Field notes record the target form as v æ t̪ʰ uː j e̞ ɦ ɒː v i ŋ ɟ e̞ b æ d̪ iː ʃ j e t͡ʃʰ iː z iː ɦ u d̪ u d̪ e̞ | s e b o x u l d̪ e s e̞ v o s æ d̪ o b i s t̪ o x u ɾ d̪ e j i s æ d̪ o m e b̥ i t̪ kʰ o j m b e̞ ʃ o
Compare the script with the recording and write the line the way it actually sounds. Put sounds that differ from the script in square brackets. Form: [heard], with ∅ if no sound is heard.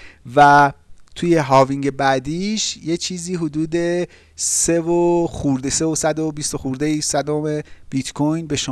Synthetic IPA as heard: v æ t̪ʰ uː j e̞ ɦ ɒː v i ŋ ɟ e̞ b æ d̪ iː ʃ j e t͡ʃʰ iː z iː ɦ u d̪ [uː] d̪ e̞ | s e [v] o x u [ɾ] d̪ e s e̞ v o s æ d̪ o b i s t̪ o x u ɾ d̪ e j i s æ d̪ o m e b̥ i t̪ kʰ o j [n] b e̞ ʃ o